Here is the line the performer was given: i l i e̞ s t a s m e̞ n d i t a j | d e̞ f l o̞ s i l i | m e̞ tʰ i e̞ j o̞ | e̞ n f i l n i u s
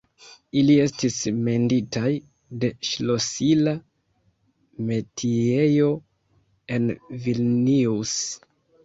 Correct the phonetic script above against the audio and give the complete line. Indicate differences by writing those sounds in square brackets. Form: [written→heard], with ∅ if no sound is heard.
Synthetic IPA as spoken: i l i e̞ s t [a→i] s m e̞ n d i t a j | d e̞ [f→ʃ] l o̞ s i l [i→a] | m e̞ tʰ i e̞ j o̞ | e̞ n [f→v] i l n i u s